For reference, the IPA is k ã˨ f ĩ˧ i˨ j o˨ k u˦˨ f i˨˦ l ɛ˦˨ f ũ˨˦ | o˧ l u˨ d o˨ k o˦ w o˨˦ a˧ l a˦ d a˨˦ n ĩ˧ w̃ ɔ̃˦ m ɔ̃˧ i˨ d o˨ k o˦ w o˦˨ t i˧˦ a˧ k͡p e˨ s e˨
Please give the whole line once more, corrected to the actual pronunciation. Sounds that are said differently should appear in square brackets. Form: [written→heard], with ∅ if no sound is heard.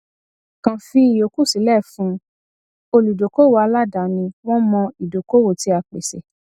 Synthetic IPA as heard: k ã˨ f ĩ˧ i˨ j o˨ k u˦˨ [f→s] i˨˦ l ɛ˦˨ f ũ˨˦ | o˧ l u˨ d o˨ k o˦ w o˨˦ a˧ l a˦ d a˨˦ n ĩ˧ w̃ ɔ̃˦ m ɔ̃˧ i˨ d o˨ k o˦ w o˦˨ t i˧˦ a˧ k͡p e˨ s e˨